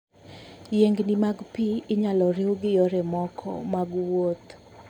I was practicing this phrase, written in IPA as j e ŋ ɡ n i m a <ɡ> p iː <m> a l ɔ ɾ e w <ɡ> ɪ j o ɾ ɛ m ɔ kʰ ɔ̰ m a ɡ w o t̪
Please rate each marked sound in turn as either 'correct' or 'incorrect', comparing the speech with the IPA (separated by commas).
correct, incorrect, correct